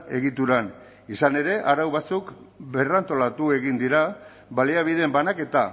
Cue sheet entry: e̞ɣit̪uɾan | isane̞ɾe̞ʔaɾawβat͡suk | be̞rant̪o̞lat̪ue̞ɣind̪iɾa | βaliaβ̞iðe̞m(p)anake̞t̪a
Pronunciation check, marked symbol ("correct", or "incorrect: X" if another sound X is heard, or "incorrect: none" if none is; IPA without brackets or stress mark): incorrect: b